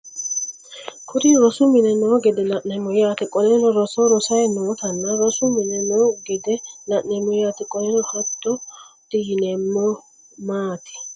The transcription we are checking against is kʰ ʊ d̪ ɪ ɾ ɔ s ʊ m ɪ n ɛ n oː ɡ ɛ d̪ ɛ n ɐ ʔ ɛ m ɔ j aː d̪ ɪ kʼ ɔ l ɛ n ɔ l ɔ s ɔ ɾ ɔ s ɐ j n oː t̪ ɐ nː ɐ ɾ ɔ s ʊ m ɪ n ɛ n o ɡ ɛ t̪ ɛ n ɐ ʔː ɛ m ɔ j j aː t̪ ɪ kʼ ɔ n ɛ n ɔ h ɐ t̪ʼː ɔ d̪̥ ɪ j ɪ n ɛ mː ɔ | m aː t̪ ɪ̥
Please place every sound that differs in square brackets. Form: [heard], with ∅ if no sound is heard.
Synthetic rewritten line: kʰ ʊ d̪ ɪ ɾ ɔ s ʊ m ɪ n ɛ n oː ɡ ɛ d̪ ɛ n ɐ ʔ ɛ m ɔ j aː [t̪] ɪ kʼ ɔ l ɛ n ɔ [ɾ] ɔ s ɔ ɾ ɔ s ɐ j n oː t̪ ɐ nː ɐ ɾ ɔ s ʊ m ɪ n ɛ n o ɡ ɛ [d̪] ɛ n ɐ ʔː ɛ m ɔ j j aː t̪ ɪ kʼ ɔ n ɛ n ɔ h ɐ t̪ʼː ɔ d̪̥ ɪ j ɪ n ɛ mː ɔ | m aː t̪ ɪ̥